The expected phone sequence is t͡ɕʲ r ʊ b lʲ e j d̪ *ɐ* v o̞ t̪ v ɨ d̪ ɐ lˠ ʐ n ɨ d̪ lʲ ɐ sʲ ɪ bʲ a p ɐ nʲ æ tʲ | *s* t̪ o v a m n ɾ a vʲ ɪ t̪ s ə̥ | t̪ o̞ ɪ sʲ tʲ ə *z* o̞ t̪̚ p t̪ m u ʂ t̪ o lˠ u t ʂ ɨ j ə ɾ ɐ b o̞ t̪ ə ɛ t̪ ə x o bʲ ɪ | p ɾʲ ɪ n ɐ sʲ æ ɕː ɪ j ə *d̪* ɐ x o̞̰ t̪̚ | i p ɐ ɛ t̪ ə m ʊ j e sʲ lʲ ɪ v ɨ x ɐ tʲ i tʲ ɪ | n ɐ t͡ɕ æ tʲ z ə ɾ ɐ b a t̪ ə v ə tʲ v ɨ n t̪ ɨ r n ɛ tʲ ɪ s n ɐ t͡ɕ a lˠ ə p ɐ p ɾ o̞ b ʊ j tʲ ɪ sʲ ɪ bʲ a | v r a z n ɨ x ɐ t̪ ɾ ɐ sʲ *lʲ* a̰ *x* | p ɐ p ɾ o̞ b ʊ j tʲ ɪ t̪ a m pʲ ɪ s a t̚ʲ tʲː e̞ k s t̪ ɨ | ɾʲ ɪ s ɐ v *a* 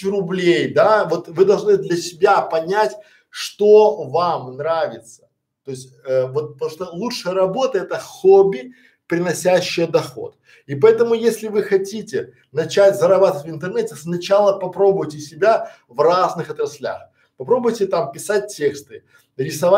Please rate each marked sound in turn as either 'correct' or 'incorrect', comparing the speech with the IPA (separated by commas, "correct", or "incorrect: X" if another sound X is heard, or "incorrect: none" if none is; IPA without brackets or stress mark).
incorrect: a, incorrect: ʂ, incorrect: v, correct, correct, correct, correct